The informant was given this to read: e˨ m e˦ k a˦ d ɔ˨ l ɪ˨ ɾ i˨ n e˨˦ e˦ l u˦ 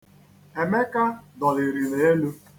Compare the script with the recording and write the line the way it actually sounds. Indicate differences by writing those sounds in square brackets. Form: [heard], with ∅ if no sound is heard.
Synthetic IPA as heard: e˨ m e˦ k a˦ d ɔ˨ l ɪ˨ ɾ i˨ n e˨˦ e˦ l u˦